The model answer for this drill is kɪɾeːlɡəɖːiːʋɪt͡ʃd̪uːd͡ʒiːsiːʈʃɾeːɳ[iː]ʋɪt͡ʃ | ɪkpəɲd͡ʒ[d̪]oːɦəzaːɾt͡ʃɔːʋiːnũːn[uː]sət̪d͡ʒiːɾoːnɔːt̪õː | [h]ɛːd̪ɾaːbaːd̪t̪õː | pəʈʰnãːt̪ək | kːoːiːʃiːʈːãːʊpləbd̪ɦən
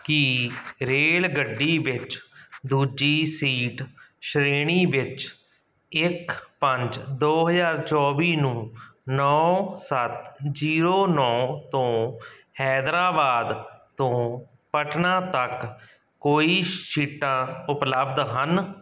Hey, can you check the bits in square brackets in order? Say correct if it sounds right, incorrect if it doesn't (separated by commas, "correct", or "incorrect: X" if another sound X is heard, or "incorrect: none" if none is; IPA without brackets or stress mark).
correct, correct, incorrect: ɔː, correct